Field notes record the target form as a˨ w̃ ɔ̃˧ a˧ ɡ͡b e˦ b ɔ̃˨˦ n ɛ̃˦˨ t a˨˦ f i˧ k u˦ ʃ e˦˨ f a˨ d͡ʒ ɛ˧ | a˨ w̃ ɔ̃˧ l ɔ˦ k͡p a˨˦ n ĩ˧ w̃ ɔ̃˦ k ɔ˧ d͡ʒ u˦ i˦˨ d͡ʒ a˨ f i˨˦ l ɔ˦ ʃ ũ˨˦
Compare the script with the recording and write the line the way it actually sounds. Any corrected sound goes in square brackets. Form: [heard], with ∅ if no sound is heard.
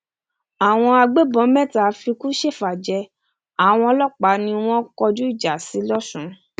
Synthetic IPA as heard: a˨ w̃ ɔ̃˧ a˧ ɡ͡b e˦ b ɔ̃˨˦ [m] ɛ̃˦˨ t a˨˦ f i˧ k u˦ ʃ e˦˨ f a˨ d͡ʒ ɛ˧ | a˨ w̃ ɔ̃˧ l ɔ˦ k͡p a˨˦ n ĩ˧ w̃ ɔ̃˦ k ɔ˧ d͡ʒ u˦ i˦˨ d͡ʒ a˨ [s] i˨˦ l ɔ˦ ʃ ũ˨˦